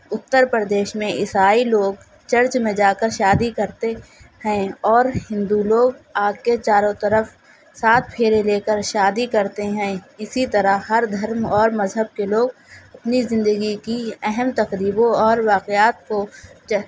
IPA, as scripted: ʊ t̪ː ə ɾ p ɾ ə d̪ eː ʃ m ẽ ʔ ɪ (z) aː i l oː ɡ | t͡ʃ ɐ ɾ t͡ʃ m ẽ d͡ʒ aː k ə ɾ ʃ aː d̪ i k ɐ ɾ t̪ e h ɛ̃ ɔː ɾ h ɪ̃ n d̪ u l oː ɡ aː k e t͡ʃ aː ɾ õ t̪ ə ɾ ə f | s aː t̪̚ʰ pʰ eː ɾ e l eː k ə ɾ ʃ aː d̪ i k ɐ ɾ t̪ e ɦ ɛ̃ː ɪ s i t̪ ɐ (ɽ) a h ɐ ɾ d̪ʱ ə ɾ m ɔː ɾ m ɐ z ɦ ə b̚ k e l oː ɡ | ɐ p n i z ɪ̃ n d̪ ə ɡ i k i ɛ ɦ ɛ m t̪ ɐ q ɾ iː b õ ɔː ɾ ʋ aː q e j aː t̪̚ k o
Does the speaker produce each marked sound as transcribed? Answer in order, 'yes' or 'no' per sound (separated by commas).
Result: no, no